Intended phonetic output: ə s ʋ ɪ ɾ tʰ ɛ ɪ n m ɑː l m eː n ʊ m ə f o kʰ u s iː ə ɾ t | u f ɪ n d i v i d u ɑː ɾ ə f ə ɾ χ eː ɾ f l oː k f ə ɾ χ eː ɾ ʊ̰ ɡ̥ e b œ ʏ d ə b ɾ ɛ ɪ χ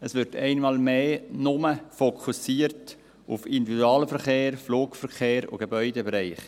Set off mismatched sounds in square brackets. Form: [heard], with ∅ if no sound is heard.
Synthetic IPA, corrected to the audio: ə s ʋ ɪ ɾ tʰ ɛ ɪ n m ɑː l m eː n ʊ m ə f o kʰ u s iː ə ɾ t | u f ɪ n d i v i d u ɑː [l] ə f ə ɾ χ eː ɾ f l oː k f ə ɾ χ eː ɾ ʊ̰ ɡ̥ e b œ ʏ d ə b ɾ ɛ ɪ χ